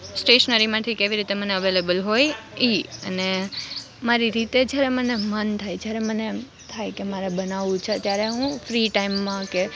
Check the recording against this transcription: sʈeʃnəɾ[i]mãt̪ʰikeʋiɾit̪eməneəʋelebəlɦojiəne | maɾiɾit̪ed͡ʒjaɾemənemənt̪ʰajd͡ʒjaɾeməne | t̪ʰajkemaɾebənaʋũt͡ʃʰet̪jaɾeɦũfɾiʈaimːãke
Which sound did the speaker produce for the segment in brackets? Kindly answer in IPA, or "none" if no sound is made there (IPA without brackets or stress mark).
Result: i